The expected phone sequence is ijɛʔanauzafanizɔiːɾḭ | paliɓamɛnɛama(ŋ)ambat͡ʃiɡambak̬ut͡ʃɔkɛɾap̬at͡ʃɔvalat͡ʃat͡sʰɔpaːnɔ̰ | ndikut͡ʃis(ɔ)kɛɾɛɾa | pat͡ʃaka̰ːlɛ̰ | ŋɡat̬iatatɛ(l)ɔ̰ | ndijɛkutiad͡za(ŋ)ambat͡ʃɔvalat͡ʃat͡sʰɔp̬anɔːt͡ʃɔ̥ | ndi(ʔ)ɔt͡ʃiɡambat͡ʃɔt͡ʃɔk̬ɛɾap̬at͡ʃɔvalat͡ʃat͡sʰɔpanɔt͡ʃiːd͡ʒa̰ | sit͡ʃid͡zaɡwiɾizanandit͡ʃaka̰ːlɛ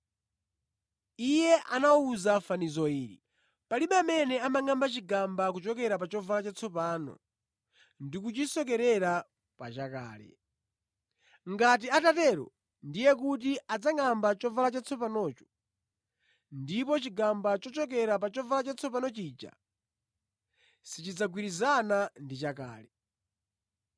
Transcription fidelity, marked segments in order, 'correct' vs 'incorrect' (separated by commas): correct, correct, incorrect, correct, incorrect